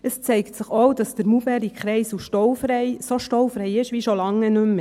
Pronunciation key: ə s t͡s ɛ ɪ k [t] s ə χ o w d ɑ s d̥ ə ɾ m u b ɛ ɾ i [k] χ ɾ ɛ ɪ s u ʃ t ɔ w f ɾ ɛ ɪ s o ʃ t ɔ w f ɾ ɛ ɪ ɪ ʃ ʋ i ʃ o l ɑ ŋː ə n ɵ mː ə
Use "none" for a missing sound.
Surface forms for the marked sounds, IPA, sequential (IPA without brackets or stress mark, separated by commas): t, k